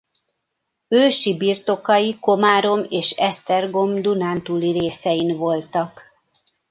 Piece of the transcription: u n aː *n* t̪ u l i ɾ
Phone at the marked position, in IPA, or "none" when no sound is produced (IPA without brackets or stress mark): n